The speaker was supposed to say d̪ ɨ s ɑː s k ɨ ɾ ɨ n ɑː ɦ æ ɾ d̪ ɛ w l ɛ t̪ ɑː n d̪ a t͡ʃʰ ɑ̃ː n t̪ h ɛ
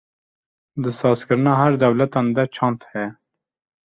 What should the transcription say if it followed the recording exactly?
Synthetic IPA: d̪ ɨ s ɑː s k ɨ ɾ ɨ n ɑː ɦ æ ɾ d̪ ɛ w l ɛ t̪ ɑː n d̪ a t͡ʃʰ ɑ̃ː n t̪ h ɛ